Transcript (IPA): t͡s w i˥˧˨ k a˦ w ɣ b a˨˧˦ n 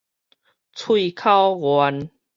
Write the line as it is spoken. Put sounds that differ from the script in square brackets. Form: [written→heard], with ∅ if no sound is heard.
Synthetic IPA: [t͡s→t͡sʰ] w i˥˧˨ [k→kʰ] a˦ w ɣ [b→w] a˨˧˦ n